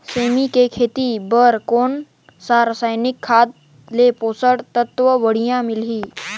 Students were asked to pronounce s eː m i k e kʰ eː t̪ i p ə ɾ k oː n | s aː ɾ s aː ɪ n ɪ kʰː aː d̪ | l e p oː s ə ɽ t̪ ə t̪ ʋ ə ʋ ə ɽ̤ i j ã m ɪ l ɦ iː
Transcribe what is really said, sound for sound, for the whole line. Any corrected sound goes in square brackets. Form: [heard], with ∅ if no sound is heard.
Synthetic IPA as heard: s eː m i k e kʰ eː t̪ i [b] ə ɾ k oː n | s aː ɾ s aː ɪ n ɪ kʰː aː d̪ | l e p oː s ə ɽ t̪ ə t̪ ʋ ə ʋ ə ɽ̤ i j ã m ɪ l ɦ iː